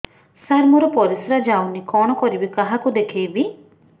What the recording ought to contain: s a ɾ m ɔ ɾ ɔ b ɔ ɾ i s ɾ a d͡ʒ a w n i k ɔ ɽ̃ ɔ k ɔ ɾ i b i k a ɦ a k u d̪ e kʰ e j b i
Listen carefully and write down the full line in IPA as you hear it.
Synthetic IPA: s a ɾ m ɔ ɾ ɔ p ɔ ɾ i s ɾ a d͡ʒ a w n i k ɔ ɽ̃ ɔ k ɔ ɾ i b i k a ɦ a k u d̪ e kʰ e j b i